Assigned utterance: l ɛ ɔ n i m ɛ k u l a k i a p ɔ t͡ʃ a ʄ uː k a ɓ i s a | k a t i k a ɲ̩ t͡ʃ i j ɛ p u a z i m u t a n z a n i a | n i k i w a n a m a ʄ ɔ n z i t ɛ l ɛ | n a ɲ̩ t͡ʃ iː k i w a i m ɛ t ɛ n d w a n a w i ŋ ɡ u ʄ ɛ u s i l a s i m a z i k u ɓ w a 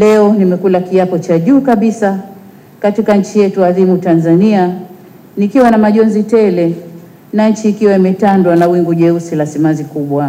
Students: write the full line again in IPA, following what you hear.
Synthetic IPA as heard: l ɛ ɔ n i m ɛ k u l a k i a p ɔ t͡ʃ a ʄ uː k a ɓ i s a | k a t i k a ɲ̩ t͡ʃ i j ɛ t u a ð i m u t a n z a n i a | n i k i w a n a m a ʄ ɔ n z i t ɛ l ɛ | n a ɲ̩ t͡ʃ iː k i w a i m ɛ t a n d w a n a w i ŋ ɡ u ʄ ɛ u s i l a s i m a z i k u ɓ w a